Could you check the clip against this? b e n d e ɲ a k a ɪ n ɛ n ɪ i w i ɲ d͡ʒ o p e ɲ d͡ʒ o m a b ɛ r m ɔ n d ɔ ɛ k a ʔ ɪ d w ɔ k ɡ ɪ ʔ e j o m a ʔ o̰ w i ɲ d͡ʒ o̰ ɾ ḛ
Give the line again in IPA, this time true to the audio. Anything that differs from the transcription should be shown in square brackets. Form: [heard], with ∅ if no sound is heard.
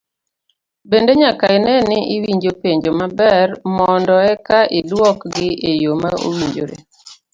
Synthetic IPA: b e n d e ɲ a k a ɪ n ɛ n ɪ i w i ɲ d͡ʒ o p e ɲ d͡ʒ o m a b ɛ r m ɔ n d ɔ ɛ k a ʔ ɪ d w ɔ k ɡ ɪ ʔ e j o m a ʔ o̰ w i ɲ d͡ʒ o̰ ɾ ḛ